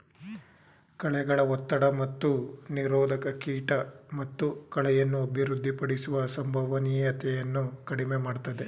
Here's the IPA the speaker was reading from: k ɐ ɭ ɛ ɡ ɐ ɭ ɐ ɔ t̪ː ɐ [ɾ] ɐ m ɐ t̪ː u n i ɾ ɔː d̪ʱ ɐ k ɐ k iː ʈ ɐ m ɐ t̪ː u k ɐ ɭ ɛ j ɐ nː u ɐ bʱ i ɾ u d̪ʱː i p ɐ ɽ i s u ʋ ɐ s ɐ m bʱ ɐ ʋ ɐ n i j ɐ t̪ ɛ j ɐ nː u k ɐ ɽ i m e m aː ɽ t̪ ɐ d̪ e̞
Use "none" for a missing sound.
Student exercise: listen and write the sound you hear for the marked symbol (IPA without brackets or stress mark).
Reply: ɽ